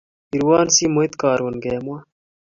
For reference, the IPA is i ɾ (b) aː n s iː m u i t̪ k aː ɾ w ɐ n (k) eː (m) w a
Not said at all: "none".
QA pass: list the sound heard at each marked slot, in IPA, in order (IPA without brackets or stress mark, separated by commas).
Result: w, ɡ, m